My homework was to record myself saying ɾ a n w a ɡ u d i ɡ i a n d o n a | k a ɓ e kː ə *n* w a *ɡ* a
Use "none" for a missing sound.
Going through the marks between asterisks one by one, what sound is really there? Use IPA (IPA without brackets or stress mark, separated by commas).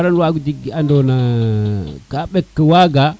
none, ɡ